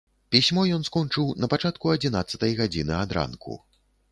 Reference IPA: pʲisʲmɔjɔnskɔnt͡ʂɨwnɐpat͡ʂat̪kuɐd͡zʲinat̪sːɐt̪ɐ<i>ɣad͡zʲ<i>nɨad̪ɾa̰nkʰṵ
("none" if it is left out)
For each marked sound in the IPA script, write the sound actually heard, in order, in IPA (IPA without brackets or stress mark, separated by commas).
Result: j, i